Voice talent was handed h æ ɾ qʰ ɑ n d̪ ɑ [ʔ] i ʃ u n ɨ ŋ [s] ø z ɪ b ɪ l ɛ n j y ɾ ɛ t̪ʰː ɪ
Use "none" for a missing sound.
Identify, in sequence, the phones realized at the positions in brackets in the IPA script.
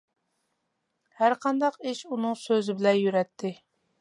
q, s

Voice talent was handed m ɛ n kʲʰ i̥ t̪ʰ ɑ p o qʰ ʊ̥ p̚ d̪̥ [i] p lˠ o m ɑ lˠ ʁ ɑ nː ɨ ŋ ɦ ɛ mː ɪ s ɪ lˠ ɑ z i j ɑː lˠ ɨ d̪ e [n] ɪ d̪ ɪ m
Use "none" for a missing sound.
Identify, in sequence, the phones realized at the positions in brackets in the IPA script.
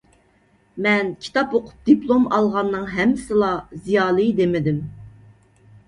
i, m

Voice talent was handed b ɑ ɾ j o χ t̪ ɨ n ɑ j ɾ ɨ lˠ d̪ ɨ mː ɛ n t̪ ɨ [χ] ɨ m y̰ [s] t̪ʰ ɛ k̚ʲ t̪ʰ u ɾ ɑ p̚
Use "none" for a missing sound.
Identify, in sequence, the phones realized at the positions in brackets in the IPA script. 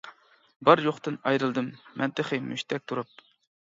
χ, ʃ

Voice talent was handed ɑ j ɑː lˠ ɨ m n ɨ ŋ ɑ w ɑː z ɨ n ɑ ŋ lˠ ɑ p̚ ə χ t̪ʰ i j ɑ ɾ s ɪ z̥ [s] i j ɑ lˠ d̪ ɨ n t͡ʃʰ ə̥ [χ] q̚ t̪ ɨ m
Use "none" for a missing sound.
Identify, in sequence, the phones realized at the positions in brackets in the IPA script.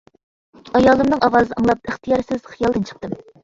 χ, none

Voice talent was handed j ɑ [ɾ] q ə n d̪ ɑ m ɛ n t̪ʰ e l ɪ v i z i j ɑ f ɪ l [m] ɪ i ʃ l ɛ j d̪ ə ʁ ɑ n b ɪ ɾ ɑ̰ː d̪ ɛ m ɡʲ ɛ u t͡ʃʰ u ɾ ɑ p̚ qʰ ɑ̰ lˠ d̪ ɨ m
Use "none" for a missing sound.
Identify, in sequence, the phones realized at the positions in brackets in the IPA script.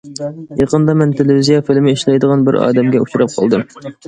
none, m

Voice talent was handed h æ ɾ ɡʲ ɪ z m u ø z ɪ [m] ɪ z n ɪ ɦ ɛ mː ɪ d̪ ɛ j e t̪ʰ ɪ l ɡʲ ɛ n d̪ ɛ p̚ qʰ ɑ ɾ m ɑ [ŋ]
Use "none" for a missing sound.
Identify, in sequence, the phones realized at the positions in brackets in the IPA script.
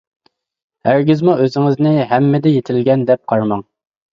ŋ, ŋ

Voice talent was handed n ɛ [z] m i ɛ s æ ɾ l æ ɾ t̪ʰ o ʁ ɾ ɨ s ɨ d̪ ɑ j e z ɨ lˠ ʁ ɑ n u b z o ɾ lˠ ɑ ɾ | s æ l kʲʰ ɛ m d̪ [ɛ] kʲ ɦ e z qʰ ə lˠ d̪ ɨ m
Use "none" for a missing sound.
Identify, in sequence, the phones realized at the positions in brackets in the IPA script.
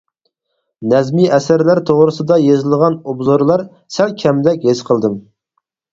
z, ɛ

